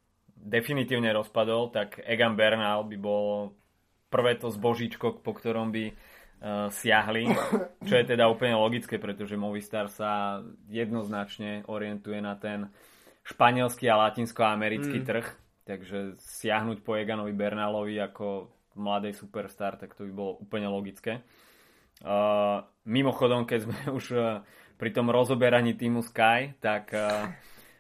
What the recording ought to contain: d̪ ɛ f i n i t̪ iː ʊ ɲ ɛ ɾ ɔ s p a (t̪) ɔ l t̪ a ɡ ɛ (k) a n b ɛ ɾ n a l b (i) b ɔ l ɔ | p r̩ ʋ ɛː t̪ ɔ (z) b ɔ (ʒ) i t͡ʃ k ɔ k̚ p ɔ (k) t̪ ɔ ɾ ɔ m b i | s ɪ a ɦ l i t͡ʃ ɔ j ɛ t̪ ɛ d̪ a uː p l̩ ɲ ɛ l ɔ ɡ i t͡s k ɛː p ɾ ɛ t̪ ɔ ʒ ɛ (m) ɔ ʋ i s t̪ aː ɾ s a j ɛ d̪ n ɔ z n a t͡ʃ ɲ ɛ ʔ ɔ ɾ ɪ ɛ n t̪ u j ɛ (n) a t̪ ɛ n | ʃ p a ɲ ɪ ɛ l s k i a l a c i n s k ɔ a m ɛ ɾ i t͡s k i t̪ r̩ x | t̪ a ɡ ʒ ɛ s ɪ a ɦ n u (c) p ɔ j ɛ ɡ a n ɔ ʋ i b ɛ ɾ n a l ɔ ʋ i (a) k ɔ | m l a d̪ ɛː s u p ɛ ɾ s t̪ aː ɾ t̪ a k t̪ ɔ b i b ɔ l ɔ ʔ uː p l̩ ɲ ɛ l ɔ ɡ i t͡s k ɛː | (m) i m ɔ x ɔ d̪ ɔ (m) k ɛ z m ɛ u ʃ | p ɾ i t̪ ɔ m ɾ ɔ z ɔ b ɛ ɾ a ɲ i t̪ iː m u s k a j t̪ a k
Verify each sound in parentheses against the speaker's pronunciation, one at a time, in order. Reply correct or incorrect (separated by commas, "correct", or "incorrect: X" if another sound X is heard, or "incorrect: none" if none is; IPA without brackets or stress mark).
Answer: incorrect: d̪, incorrect: ɡ, correct, correct, correct, correct, correct, correct, correct, correct, correct, correct